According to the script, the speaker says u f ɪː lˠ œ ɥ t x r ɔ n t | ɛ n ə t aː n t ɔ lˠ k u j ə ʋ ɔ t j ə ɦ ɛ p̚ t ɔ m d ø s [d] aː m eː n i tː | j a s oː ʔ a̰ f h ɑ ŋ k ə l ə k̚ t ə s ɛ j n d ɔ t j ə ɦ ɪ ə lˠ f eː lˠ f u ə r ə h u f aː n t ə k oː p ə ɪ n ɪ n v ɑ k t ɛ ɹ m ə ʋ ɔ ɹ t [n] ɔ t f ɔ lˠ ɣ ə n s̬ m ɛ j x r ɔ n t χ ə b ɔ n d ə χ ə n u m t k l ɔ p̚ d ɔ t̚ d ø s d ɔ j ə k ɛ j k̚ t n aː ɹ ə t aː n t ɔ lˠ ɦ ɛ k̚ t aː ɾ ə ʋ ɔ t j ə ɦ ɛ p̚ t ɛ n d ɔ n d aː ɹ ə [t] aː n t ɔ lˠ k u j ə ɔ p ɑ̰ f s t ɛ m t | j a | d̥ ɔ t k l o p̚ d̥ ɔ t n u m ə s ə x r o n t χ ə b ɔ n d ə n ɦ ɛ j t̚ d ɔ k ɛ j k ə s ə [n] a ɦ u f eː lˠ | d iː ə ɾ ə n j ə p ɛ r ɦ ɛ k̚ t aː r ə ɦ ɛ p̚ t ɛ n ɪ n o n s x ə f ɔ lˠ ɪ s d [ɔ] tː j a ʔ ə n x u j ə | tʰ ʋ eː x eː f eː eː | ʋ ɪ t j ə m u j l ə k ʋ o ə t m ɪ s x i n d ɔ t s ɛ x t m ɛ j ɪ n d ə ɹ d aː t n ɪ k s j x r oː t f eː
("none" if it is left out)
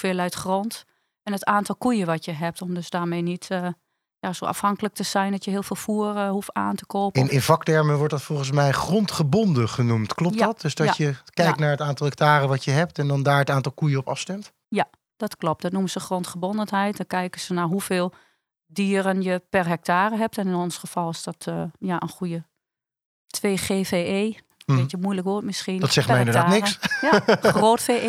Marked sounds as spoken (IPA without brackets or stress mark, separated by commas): d, d, t, n, ɔ